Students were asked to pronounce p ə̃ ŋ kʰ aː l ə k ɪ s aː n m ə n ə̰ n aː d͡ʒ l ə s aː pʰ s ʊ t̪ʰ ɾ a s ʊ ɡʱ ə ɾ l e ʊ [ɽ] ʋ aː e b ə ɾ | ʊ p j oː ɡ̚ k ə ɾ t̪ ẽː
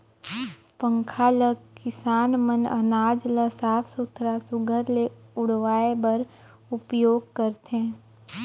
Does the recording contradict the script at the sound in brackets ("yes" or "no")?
no